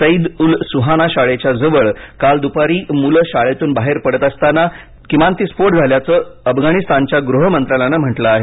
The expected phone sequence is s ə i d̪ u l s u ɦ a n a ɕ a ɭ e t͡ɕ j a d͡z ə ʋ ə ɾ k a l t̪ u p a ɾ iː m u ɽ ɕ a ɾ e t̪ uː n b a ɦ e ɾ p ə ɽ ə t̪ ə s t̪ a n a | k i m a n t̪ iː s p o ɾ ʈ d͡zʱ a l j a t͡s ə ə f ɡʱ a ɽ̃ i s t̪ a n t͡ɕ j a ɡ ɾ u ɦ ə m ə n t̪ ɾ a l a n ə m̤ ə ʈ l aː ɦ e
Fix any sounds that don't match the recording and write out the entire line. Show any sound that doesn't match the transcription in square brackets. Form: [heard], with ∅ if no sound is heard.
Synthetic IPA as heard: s ə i d̪ u l s u ɦ a n a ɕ a ɭ e t͡ɕ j a d͡z ə ʋ ə [ɭ] k a l [d̪] u p a ɾ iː m u [l] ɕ a [ɭ] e t̪ uː n b a ɦ e ɾ p ə ɽ ə t̪ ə s t̪ a n a | k i m a n t̪ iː s p o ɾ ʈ d͡zʱ a l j a t͡s ə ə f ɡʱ a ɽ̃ i s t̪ a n t͡ɕ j a ɡ ɾ u ɦ ə m ə n t̪ ɾ a l a n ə m̤ ə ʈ l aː ɦ e

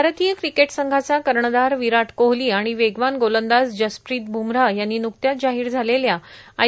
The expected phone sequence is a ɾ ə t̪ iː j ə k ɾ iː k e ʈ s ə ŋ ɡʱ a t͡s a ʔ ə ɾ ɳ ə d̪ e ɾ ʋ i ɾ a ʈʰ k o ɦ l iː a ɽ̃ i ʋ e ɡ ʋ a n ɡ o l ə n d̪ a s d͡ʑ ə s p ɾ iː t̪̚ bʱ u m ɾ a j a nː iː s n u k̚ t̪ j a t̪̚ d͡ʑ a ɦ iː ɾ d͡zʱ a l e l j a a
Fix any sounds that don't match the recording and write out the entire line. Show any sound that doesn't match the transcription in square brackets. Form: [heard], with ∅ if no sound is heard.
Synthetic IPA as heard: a ɾ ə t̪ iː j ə k ɾ [i] k e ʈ s ə ŋ ɡʱ a t͡s a [k] ə ɾ ɳ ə d̪ [a] ɾ ʋ i ɾ a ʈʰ k o ɦ l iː a ɽ̃ i ʋ e ɡ ʋ a n ɡ o l ə n d̪ a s d͡ʑ ə s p ɾ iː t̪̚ bʱ u m ɾ a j a nː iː [∅] n u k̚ t̪ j a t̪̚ d͡ʑ a ɦ iː ɾ d͡zʱ a l e l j a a

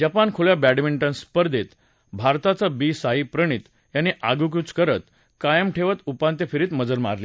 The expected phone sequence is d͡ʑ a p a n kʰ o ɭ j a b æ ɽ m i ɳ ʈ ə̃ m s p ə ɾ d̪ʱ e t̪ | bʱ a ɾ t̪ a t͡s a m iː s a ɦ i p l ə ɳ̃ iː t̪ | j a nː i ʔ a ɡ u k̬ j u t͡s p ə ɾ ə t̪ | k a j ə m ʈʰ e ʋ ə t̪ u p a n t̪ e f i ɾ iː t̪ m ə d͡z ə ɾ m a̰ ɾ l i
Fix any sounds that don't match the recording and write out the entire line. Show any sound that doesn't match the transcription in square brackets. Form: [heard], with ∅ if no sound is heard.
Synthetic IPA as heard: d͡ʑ a p a n kʰ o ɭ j a b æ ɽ m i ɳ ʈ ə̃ [n] s p ə ɾ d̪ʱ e t̪ | bʱ a ɾ t̪ a t͡s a [b] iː s a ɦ i p [ɾ] ə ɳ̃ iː t̪ | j a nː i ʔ a ɡ u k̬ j u t͡s [k] ə ɾ ə t̪ | k a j ə m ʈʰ e ʋ ə t̪ u p a n t̪ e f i ɾ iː t̪ m ə d͡z ə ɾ m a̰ ɾ l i

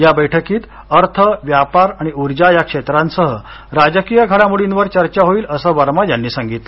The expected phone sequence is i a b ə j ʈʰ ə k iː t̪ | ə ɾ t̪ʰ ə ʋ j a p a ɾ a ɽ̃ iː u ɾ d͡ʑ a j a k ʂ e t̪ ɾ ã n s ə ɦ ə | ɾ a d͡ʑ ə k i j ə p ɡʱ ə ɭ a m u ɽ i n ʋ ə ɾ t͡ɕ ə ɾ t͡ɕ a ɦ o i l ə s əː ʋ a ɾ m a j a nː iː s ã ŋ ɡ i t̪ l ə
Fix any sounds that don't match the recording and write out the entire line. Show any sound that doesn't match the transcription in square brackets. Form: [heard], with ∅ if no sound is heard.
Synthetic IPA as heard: [j] a b ə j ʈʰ ə k iː t̪ | ə ɾ t̪ʰ ə ʋ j a p a ɾ a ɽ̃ [i] u ɾ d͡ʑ a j a k ʂ e t̪ ɾ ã n s ə ɦ ə | ɾ a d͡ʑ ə k i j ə [∅] ɡʱ ə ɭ a m u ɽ i n ʋ ə ɾ t͡ɕ ə ɾ t͡ɕ a ɦ o [iː] l ə s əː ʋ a ɾ m a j a nː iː s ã ŋ ɡ i t̪ l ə

